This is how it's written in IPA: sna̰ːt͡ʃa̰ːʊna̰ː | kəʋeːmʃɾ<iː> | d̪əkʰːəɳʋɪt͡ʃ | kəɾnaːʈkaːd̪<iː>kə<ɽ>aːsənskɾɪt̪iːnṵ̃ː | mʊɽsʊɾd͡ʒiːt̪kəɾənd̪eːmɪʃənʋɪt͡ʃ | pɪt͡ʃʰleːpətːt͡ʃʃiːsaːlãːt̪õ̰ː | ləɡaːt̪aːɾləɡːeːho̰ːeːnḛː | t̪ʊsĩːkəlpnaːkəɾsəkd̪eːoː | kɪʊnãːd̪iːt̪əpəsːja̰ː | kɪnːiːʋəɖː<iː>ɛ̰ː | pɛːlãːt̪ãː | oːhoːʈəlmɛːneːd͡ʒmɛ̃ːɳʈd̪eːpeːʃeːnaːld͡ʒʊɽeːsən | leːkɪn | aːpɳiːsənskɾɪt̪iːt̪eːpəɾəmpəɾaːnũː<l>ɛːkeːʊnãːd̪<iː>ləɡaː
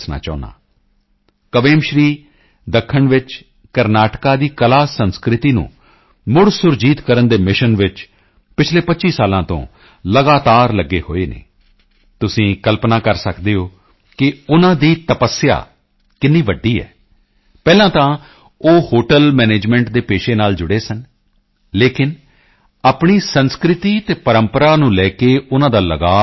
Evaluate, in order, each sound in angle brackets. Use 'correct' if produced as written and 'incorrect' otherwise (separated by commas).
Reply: correct, correct, incorrect, correct, correct, incorrect